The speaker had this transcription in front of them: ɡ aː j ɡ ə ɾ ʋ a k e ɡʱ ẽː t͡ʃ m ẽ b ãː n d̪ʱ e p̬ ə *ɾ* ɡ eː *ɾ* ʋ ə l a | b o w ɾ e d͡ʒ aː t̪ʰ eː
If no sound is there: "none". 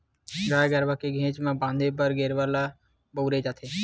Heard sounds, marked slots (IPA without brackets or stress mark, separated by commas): ɾ, ɾ